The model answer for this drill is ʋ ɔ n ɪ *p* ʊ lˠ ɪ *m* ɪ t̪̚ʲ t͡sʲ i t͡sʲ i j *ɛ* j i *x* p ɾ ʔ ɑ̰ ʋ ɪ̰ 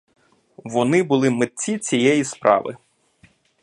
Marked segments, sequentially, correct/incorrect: incorrect, correct, correct, incorrect

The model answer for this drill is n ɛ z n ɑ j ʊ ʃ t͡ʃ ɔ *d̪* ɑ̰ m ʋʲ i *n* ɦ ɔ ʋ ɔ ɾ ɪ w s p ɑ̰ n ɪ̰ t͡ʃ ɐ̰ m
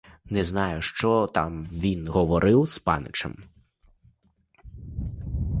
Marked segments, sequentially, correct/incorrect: incorrect, correct

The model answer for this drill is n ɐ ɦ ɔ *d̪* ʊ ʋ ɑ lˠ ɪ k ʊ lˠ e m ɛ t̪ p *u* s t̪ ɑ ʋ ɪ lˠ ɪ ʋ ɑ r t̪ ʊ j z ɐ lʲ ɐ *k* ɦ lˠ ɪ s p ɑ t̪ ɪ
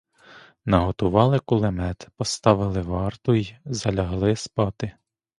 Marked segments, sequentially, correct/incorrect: incorrect, incorrect, incorrect

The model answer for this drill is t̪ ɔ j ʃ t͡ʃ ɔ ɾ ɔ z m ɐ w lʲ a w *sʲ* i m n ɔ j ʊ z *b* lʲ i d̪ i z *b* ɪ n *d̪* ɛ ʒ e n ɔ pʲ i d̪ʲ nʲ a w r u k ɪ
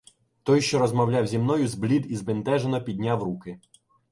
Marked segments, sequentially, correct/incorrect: incorrect, correct, correct, incorrect

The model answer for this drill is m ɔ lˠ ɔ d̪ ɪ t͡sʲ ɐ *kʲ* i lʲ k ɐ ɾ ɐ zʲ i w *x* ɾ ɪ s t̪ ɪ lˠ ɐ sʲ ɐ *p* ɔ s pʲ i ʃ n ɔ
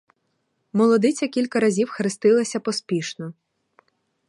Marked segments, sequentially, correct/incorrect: correct, correct, correct

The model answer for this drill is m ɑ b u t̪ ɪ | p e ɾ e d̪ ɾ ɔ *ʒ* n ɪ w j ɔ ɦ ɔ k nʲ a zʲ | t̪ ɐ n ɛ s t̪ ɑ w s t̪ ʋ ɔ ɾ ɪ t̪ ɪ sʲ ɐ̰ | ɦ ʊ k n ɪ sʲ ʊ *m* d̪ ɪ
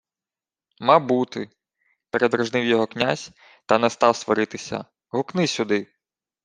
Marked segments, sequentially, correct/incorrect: correct, incorrect

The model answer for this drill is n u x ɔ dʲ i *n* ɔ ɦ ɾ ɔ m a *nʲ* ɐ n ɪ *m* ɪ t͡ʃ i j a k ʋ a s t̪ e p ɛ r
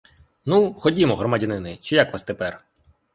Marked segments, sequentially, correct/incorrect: incorrect, incorrect, incorrect

